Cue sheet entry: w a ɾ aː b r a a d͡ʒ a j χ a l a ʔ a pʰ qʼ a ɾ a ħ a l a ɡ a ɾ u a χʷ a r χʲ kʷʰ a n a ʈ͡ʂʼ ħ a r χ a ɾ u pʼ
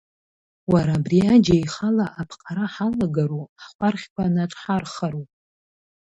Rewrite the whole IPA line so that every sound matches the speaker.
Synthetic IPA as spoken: w a ɾ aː b r i a d͡ʒ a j χ a l a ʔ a pʰ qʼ a ɾ a ħ a l a ɡ a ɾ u a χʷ a r χʲ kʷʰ a n a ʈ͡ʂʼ ħ a r χ a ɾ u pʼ